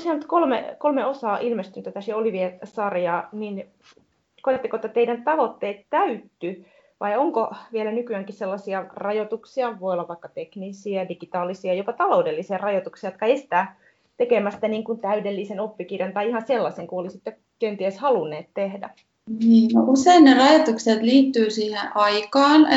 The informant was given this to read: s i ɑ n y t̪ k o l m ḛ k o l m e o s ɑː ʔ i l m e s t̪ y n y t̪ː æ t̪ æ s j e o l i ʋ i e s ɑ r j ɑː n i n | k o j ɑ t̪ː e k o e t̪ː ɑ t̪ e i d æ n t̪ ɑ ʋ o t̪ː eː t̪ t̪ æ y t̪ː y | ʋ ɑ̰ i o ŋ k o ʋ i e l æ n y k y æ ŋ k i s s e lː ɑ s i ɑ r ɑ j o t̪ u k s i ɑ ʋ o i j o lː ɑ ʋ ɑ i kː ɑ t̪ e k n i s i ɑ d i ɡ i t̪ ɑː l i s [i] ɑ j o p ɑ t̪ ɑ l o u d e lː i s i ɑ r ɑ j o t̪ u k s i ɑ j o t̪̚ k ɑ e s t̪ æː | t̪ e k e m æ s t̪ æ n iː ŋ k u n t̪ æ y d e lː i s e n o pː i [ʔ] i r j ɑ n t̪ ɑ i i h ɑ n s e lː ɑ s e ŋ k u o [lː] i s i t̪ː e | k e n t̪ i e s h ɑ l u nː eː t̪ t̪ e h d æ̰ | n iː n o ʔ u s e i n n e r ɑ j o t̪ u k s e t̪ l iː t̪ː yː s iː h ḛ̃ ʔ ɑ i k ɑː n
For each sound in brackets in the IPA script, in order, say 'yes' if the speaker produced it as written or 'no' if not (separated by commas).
yes, no, no